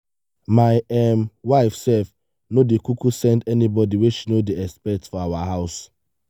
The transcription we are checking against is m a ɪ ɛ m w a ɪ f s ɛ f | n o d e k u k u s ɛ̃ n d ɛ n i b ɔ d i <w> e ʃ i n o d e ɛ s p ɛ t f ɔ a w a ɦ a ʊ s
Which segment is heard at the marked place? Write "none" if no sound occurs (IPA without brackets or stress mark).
w